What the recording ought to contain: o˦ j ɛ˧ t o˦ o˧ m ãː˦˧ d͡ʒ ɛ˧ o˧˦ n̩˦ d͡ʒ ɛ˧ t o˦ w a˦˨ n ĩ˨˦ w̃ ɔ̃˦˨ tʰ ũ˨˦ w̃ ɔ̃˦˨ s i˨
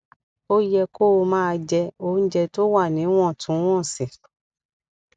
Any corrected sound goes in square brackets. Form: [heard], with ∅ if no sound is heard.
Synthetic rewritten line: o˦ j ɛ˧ [k] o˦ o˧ m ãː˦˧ d͡ʒ ɛ˧ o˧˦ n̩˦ d͡ʒ ɛ˧ t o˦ w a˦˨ n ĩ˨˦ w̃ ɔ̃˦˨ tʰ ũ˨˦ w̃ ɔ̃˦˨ s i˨